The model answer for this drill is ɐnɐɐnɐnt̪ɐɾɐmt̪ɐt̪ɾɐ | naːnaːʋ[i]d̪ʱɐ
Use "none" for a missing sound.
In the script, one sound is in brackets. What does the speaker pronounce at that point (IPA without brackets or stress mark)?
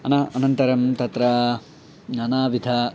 i